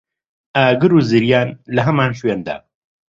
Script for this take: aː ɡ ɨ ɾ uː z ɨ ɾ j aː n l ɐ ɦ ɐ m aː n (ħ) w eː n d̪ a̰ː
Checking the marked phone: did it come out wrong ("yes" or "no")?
yes